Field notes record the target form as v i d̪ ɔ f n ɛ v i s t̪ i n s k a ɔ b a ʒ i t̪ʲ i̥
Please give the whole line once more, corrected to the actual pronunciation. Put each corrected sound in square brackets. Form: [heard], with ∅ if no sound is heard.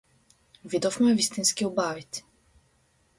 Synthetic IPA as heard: v i d̪ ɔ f [m] ɛ v i s t̪ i n s k [i] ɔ b a [v] i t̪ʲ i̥